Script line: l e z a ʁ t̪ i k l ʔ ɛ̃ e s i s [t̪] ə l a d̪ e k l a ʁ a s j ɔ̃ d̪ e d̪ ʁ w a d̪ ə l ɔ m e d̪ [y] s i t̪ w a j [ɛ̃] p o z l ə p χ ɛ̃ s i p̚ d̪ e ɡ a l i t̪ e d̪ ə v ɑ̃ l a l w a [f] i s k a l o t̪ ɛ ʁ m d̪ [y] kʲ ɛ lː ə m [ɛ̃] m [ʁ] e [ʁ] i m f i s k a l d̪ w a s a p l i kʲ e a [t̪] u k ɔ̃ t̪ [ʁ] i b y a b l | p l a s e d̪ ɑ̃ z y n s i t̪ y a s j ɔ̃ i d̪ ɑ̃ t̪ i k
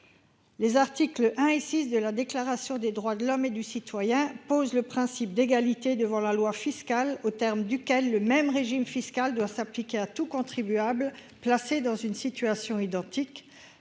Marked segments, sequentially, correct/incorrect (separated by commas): incorrect, correct, correct, correct, correct, incorrect, correct, incorrect, correct, incorrect